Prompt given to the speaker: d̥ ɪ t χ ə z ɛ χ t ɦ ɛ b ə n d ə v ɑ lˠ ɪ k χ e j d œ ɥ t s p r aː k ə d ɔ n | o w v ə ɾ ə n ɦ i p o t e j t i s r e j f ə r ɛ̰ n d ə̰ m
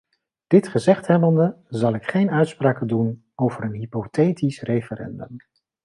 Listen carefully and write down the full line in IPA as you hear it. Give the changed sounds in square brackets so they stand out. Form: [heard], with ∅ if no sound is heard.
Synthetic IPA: d̥ ɪ t χ ə z ɛ χ t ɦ ɛ b ə n d ə [z] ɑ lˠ ɪ k χ e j [n] œ ɥ t s p r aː k ə d [u] n | o w v ə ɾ ə n ɦ i p o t e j t i s r e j f ə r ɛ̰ n d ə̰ m